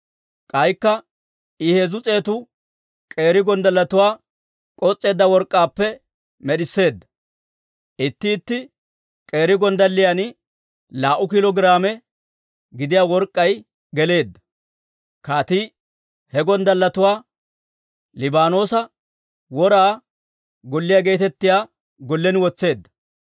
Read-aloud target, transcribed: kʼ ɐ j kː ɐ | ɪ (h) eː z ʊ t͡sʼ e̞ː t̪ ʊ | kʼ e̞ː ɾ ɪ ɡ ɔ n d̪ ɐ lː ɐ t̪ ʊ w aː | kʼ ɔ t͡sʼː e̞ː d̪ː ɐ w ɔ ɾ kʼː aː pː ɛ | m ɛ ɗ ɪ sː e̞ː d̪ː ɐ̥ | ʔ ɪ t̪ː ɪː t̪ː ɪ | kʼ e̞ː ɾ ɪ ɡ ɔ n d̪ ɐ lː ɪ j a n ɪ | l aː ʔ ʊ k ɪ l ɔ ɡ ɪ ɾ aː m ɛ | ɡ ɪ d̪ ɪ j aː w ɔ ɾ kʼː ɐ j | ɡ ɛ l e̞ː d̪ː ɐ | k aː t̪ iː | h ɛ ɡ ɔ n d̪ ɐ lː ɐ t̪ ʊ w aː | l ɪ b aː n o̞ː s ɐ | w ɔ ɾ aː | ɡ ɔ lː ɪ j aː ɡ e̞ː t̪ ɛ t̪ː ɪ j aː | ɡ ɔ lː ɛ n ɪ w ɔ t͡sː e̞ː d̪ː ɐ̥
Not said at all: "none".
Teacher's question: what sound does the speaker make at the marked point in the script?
h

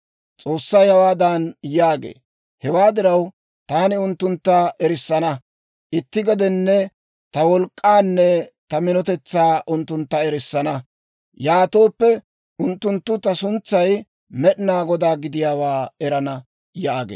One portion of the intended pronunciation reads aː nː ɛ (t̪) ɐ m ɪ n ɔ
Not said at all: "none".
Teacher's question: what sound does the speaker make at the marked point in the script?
t̪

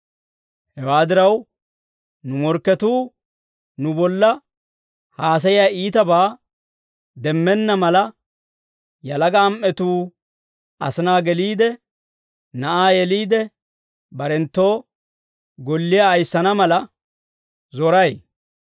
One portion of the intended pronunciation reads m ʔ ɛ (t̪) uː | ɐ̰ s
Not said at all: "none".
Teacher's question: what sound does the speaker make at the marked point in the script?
t̪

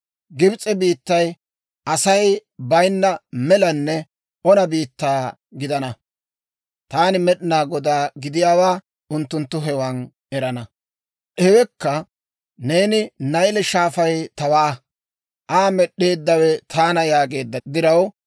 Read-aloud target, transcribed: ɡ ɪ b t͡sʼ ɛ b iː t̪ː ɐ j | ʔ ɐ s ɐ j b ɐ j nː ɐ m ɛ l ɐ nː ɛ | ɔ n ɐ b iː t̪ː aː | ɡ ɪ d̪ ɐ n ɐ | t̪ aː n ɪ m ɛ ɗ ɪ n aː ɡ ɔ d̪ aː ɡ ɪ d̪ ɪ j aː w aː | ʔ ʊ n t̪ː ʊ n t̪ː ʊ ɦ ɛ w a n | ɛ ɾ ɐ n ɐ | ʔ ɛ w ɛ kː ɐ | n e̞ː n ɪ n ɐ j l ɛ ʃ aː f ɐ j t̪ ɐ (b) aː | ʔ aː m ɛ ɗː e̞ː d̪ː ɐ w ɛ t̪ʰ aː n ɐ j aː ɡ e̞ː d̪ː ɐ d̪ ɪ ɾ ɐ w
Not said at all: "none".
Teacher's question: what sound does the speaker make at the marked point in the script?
w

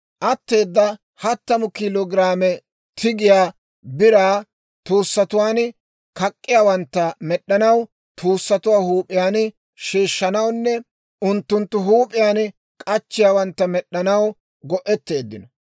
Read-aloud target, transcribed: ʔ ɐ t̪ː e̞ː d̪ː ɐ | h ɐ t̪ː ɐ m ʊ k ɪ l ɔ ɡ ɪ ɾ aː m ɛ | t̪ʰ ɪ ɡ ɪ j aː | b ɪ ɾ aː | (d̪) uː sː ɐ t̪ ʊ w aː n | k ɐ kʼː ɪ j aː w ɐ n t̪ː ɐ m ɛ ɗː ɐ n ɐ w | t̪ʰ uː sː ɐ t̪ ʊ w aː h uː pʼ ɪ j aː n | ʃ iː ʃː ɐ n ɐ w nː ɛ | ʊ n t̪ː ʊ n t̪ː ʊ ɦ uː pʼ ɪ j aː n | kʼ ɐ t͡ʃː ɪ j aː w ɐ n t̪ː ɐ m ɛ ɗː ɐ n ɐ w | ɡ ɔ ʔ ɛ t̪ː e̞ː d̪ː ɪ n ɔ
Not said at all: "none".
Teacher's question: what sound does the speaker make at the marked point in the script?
t̪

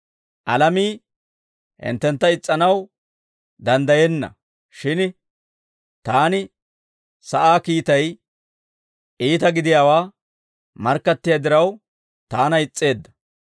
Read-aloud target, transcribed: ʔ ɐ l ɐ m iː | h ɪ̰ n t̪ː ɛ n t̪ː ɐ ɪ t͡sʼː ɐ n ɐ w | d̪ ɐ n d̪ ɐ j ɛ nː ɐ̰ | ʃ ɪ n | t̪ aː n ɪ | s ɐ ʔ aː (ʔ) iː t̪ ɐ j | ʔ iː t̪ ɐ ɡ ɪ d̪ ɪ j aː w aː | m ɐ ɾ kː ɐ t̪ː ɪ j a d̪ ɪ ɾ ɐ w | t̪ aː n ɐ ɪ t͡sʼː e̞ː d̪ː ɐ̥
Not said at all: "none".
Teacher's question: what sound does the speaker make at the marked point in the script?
k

